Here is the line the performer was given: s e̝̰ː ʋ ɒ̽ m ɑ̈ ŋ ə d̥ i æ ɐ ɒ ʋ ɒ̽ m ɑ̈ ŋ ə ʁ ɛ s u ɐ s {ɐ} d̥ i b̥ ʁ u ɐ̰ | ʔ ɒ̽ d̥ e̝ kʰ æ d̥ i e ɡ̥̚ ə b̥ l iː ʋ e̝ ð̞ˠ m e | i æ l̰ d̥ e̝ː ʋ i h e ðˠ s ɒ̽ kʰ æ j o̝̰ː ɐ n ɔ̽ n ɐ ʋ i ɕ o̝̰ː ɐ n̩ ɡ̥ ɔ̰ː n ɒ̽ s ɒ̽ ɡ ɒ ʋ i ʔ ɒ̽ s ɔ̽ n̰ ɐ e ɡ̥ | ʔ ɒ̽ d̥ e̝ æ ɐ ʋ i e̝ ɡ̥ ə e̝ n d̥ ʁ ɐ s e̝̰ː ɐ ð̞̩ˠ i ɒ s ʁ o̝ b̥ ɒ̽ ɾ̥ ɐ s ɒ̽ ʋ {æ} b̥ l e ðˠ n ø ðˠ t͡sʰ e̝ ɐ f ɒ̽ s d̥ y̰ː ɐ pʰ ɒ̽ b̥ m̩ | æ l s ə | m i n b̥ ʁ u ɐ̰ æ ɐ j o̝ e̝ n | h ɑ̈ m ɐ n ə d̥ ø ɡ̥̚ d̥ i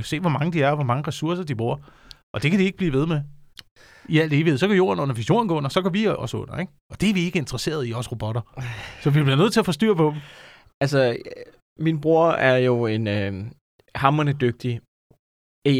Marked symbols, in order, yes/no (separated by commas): yes, no